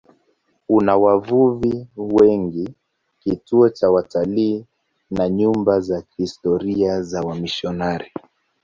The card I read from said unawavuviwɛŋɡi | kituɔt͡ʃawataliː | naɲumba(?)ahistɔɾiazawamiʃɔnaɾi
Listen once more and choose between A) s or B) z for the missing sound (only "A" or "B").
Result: B